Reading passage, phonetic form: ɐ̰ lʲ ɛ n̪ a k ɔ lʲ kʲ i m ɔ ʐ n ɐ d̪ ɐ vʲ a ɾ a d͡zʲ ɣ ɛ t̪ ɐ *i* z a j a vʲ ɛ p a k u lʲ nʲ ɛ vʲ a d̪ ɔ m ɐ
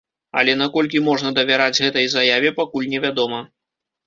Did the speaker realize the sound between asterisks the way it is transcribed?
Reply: no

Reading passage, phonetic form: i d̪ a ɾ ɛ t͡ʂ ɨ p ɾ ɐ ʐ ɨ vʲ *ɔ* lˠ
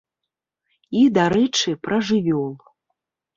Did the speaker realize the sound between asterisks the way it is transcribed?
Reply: yes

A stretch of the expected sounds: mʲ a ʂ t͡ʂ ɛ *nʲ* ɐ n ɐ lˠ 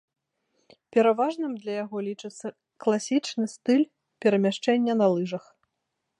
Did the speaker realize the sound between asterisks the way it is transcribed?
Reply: no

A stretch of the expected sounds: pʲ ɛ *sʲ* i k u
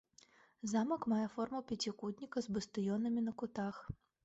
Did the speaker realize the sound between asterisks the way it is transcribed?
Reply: no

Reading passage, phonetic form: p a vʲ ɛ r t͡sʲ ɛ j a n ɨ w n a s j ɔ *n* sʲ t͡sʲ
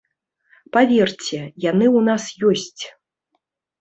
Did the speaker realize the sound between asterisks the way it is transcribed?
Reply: no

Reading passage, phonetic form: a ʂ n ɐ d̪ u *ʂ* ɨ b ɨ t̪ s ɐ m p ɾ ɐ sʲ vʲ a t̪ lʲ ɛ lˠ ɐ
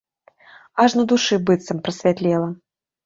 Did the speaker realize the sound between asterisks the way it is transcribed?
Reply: yes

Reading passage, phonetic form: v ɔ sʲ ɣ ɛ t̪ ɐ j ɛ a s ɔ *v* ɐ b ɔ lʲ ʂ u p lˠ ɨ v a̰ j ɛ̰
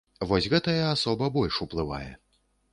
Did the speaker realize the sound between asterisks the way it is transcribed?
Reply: no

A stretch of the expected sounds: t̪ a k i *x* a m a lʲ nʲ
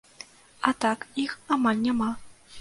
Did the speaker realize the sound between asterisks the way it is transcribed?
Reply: yes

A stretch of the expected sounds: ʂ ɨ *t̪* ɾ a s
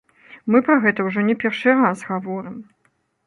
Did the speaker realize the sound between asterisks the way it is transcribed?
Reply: no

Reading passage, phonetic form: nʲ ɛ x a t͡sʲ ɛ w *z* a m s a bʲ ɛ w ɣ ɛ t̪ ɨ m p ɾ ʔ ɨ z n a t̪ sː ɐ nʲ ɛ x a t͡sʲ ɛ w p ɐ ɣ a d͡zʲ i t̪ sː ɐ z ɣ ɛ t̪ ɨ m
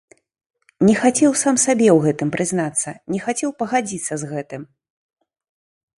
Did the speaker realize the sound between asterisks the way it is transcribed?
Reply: no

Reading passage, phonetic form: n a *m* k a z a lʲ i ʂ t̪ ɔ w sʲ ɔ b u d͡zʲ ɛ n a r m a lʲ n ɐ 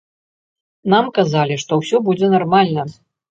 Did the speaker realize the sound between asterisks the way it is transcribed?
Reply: yes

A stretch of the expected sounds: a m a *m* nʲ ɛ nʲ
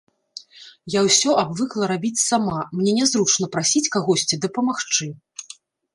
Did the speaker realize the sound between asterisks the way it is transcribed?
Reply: yes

